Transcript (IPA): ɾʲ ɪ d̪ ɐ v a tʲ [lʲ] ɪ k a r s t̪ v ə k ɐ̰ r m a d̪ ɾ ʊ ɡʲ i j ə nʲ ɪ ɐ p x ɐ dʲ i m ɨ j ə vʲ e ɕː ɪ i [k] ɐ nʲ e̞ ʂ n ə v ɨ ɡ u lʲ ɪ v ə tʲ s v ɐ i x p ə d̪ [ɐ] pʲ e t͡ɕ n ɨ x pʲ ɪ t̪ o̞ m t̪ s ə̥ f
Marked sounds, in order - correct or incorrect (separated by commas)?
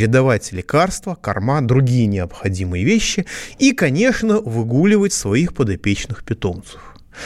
correct, correct, correct